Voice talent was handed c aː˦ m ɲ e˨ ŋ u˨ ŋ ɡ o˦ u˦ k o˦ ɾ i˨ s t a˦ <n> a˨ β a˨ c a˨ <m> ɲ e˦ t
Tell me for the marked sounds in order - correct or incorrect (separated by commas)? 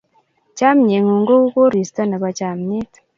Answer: correct, correct